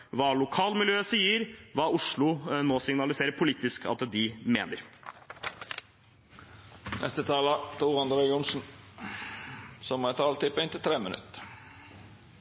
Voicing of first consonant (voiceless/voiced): voiced